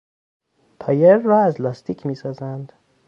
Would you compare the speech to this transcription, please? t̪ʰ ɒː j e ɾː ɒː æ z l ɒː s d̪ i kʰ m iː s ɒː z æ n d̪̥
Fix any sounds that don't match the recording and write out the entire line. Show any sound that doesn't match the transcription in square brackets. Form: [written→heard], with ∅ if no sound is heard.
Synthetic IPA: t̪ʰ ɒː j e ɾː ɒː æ z l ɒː s [d̪→t̪] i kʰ m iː s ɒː z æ n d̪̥